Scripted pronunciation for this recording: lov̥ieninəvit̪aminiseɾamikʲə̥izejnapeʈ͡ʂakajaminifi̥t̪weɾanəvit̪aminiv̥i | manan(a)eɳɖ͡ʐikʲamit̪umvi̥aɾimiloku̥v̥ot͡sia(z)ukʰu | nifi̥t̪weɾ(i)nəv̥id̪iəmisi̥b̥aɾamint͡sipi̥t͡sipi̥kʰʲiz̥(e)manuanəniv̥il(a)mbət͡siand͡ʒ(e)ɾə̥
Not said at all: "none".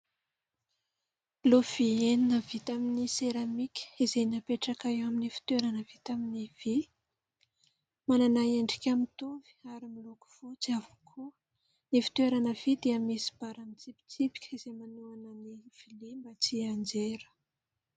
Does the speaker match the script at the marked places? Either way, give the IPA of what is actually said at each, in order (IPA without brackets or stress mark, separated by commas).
a, v, a, e, i, e